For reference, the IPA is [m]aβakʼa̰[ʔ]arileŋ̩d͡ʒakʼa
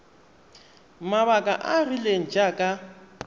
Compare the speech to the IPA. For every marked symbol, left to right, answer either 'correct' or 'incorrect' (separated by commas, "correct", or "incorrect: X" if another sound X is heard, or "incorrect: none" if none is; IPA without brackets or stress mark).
correct, correct